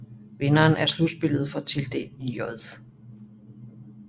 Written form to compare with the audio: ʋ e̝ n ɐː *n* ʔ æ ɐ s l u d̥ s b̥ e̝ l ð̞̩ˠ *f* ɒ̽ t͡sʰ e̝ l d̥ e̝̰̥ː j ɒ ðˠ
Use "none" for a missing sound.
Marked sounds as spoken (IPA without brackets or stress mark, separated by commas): n, f